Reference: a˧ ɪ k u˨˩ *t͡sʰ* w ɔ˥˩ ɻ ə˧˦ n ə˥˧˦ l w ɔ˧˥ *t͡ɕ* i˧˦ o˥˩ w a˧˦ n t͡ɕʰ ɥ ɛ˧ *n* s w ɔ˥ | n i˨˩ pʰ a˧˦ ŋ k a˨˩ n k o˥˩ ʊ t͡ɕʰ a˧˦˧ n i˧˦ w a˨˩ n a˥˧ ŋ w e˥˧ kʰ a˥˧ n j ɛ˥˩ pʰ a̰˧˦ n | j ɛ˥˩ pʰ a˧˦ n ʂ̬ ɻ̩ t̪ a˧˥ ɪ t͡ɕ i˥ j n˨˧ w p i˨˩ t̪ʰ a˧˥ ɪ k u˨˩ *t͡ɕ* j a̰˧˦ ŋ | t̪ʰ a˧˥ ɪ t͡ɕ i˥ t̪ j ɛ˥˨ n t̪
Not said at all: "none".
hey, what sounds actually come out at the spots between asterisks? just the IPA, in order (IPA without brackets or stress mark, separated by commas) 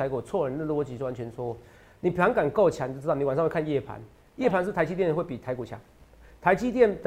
t͡sʰ, t͡ɕ, n, t͡ɕʰ